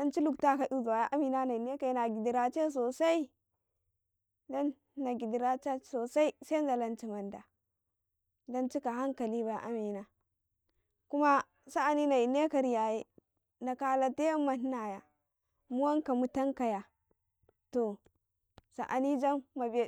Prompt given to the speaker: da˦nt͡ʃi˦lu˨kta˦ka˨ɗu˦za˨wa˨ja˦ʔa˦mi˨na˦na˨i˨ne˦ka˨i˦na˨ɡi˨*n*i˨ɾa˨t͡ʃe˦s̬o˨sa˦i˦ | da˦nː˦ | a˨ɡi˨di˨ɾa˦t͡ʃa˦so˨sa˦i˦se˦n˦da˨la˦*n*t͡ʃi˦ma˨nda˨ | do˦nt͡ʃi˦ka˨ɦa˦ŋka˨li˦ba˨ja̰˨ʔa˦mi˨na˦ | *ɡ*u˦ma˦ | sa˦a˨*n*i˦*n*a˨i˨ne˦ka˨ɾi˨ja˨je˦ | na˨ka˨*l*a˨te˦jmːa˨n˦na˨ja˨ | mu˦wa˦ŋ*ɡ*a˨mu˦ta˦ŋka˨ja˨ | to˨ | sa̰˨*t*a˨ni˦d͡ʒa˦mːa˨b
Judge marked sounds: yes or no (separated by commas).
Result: no, yes, no, yes, yes, yes, no, no